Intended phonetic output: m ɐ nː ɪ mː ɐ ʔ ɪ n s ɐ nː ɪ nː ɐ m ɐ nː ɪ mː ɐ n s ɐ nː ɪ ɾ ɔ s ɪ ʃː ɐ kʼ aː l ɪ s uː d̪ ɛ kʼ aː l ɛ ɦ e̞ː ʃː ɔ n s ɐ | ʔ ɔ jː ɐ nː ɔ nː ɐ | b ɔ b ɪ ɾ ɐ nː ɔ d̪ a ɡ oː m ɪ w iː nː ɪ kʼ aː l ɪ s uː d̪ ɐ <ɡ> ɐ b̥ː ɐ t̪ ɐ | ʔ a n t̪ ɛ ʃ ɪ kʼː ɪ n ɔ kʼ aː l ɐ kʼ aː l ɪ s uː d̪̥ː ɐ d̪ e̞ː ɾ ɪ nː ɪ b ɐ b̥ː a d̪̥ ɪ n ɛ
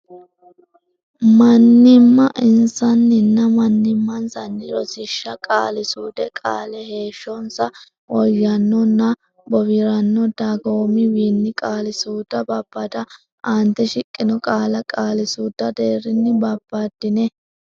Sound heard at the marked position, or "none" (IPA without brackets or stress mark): b